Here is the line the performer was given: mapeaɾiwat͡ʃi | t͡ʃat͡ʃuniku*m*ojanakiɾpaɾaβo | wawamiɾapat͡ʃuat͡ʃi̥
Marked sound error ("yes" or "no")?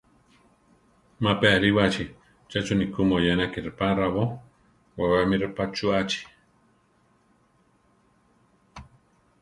no